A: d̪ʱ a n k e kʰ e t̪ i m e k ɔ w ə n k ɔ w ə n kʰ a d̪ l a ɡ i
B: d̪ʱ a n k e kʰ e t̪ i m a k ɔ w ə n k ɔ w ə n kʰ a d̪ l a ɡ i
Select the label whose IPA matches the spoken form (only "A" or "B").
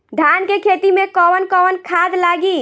A